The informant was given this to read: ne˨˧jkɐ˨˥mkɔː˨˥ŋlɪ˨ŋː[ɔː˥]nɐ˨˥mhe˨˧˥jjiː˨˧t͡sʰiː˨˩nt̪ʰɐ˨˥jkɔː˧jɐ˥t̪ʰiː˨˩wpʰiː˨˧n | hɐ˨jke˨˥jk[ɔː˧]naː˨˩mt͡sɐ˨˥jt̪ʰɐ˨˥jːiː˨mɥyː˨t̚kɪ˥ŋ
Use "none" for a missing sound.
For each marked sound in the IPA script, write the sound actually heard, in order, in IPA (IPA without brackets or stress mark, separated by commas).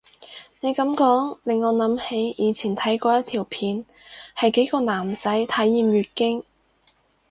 ɔː˨˧, ɔː˧